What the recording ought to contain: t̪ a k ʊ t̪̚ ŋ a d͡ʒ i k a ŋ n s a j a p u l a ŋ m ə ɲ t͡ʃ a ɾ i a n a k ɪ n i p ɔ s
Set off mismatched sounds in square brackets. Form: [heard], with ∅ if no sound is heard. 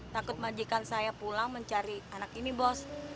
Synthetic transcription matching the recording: t̪ a k ʊ t̪̚ [m] a d͡ʒ i k a [∅] n s a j a p u l a ŋ m ə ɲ t͡ʃ a ɾ i a n a k [i] n i [b] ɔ s